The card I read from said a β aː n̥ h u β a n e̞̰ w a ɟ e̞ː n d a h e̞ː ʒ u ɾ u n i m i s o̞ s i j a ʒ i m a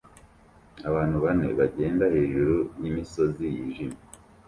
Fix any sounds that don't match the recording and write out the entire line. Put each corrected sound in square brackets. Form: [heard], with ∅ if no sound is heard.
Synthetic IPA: a β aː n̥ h u β a n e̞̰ [β] a ɟ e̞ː n d a h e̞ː ʒ u ɾ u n i m i s o̞ [z] i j [i] ʒ i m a